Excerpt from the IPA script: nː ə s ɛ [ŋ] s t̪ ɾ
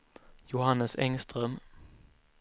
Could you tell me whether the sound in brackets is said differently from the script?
no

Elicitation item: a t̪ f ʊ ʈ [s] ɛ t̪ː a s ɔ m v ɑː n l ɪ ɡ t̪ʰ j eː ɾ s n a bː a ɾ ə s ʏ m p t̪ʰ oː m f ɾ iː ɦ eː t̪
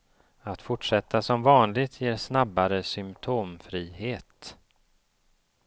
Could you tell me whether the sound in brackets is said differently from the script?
yes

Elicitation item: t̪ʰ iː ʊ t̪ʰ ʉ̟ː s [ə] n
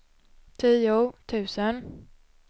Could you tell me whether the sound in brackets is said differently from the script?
no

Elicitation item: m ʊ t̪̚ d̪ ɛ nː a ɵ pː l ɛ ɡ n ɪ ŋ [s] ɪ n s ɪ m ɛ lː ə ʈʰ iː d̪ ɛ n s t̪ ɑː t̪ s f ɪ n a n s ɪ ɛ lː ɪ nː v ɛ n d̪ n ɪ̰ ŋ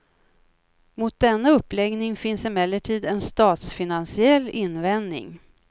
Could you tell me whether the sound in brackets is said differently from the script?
yes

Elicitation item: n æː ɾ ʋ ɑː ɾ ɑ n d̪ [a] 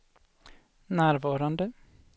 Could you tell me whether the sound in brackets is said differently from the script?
yes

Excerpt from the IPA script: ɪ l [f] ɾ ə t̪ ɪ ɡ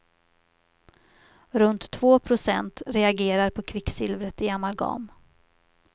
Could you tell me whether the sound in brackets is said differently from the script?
yes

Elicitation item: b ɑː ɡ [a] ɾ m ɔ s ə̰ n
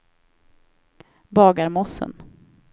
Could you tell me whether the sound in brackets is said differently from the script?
no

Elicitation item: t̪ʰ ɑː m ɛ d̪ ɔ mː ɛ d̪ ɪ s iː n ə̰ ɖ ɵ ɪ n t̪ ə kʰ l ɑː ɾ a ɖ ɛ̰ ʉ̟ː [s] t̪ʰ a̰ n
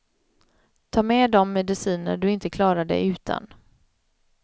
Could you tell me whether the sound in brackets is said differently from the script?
yes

